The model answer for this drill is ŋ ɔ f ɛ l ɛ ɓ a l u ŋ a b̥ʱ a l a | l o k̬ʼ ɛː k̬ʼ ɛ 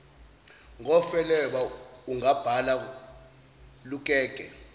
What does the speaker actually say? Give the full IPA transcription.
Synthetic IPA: ŋ ɔ f ɛ l ɛ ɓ a u ŋ a b̥ʱ a l a | l u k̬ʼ ɛː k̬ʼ ɛ